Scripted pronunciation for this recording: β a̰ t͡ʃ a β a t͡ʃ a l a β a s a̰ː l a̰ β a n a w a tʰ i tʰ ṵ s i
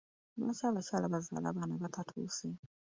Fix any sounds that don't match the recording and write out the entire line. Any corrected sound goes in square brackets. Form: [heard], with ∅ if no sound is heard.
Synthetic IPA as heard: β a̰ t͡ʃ a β a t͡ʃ a l a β a [z] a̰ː l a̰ β a n a [β] a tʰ [a] tʰ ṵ s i